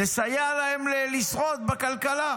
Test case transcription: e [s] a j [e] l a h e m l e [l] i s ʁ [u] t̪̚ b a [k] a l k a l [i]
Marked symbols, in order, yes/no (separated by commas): yes, no, yes, no, yes, no